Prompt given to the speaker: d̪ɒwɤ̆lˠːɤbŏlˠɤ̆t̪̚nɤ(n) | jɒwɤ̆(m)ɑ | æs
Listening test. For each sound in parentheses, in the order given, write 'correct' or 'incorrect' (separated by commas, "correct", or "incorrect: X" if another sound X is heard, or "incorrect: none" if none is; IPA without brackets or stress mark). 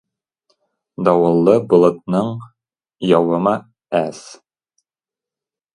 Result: incorrect: ɴ, correct